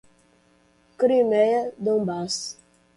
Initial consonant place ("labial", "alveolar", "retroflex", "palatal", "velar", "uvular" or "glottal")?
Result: velar